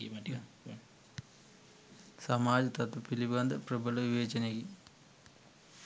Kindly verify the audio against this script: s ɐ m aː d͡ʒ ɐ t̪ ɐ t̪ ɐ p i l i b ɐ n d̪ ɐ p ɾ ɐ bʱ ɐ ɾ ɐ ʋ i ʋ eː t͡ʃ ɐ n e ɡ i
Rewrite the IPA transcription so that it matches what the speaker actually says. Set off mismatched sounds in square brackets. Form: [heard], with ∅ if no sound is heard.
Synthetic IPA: s ɐ m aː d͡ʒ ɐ t̪ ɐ t̪ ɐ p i l i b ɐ n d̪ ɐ p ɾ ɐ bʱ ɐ [l] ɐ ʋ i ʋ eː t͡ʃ ɐ n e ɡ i